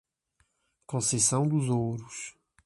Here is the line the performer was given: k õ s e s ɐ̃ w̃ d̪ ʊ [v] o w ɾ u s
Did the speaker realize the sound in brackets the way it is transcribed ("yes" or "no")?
no